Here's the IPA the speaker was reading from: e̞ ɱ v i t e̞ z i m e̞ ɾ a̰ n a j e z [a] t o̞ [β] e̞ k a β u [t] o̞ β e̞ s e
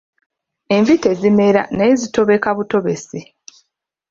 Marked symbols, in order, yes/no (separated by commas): no, yes, yes